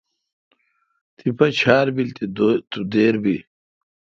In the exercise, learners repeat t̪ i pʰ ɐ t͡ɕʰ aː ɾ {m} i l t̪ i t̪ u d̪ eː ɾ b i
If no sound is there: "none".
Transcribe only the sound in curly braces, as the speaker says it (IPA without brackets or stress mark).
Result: b